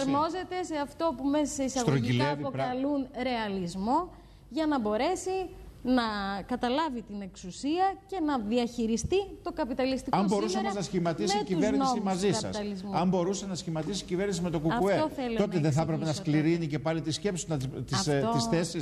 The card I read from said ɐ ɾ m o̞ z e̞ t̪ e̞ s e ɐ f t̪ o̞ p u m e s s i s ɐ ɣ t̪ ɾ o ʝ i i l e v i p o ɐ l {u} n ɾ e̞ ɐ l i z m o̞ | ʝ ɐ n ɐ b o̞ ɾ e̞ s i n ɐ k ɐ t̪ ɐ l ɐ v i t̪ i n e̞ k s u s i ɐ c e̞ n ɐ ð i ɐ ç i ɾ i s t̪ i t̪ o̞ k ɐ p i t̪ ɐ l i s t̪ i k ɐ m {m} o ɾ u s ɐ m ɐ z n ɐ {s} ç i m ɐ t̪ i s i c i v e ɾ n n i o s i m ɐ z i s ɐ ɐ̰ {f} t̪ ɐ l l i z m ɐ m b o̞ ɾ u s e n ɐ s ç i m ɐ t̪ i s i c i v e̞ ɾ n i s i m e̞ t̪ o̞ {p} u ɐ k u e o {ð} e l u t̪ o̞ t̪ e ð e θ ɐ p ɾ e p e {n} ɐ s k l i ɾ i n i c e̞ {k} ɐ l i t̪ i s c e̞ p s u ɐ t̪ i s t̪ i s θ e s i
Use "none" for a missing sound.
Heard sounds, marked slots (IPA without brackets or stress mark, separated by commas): u, b, s, s, k, θ, n, p